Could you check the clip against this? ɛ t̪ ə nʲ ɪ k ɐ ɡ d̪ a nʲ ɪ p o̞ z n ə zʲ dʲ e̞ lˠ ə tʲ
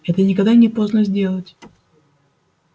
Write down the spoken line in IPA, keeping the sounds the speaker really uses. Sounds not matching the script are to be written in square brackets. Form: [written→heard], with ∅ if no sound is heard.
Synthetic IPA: ɛ t̪ ə nʲ ɪ k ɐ ɡ d̪ a nʲ ɪ p o̞ z n ə zʲ dʲ e̞ lˠ ə tʲ